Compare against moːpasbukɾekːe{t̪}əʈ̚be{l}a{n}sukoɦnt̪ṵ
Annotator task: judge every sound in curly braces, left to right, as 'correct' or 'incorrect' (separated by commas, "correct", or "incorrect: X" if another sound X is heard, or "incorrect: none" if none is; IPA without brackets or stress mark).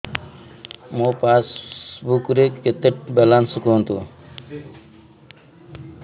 correct, correct, correct